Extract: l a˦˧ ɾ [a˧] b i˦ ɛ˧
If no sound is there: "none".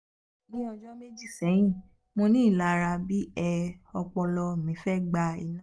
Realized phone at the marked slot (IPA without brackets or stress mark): a˧